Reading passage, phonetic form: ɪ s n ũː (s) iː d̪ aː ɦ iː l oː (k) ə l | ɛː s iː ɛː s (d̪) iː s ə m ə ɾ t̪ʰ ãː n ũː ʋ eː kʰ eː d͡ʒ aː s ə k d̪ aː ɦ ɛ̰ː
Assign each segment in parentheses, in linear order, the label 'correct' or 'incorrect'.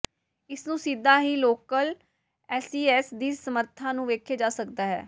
correct, correct, correct

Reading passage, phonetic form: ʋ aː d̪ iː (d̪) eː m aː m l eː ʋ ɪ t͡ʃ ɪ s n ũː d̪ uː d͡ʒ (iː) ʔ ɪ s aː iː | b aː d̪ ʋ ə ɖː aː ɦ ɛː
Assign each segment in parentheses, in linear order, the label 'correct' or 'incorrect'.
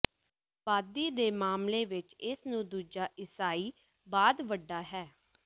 correct, incorrect

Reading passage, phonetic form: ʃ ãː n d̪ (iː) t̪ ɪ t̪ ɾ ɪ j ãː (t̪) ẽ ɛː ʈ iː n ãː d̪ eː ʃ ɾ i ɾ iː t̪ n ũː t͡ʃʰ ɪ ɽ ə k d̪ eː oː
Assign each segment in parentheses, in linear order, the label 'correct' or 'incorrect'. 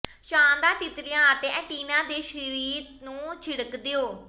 incorrect, correct

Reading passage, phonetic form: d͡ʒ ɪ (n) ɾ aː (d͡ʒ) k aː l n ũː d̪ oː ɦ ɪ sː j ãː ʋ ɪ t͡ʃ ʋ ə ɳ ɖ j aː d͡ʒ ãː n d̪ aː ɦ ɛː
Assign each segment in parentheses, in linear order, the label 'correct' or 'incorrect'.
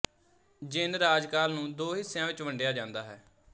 correct, correct

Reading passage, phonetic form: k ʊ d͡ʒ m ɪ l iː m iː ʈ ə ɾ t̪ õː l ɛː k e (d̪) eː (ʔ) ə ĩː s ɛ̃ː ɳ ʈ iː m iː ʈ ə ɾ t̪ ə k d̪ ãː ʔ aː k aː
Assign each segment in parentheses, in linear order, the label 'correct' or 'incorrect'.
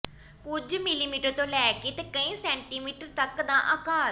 incorrect, incorrect

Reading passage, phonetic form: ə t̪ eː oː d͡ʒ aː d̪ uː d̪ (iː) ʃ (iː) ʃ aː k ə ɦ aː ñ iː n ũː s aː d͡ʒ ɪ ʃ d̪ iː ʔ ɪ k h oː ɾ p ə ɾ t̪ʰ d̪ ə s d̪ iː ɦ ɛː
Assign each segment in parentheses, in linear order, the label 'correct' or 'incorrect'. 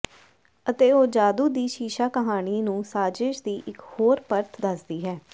correct, correct

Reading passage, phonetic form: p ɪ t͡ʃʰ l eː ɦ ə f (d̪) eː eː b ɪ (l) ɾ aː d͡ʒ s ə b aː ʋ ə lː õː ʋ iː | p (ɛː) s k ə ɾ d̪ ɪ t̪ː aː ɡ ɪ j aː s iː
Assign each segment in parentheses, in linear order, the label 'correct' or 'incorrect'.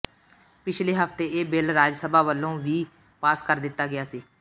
incorrect, correct, incorrect

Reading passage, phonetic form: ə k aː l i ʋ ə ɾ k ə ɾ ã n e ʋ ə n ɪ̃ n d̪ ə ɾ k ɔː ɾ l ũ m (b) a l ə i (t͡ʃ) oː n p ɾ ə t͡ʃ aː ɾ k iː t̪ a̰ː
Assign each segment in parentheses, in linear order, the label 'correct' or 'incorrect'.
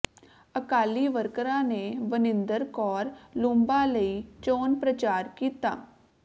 correct, correct

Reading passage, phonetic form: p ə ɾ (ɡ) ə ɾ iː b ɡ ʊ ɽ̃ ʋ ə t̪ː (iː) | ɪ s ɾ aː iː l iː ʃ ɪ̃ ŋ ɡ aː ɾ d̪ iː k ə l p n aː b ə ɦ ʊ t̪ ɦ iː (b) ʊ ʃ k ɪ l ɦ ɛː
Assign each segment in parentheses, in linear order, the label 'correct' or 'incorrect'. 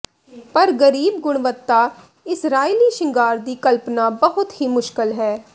correct, incorrect, incorrect

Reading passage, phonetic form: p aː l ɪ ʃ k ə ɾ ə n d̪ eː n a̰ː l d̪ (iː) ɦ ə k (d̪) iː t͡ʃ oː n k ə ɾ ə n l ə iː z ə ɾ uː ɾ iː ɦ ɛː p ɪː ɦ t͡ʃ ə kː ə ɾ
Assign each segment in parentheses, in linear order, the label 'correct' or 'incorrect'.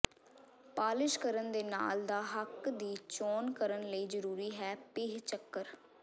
incorrect, correct

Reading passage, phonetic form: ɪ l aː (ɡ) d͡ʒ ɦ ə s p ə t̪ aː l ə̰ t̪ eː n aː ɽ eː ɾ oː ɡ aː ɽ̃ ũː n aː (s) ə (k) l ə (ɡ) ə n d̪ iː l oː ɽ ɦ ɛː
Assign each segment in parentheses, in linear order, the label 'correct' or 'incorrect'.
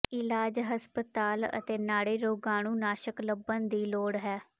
incorrect, incorrect, correct, incorrect

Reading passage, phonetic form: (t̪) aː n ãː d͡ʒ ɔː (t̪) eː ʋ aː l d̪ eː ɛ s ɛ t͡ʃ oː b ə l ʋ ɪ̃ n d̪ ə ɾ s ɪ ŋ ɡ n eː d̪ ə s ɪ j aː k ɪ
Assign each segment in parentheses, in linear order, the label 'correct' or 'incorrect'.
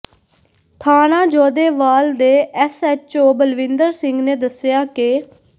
incorrect, incorrect

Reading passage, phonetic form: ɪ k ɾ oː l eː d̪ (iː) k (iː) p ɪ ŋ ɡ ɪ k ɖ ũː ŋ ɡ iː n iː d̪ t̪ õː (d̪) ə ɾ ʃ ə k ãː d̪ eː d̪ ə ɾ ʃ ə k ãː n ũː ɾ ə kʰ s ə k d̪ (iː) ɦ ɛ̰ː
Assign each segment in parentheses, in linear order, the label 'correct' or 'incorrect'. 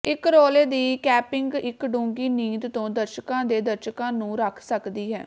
correct, incorrect, correct, correct

